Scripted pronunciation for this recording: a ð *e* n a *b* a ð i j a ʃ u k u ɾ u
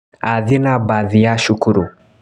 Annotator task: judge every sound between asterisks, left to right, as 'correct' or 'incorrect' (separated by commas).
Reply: incorrect, correct